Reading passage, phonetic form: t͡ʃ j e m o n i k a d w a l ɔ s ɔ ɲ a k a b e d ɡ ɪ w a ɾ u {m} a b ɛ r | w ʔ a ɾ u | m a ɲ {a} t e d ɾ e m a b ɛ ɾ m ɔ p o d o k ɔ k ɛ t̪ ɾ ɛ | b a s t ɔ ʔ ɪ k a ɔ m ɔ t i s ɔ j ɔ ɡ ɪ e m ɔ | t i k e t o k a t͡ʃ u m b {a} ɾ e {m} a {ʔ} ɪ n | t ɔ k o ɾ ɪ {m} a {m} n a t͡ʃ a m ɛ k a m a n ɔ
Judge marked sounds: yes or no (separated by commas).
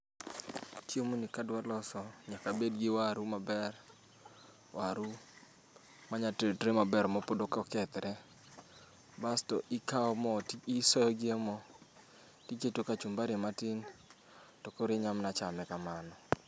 yes, yes, yes, yes, no, no, yes